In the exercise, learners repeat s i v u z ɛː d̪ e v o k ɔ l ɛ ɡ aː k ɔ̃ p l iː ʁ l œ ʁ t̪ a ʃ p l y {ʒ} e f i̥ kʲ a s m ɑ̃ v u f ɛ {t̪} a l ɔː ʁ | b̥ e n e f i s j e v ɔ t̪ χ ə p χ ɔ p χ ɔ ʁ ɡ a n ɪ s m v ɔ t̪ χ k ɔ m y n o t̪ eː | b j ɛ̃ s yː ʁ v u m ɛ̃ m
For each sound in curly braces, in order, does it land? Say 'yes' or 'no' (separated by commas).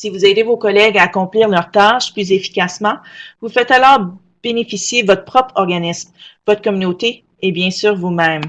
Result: no, yes